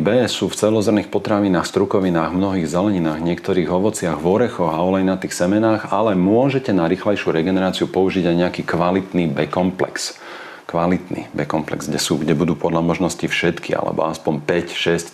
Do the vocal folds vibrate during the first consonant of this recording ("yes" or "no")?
yes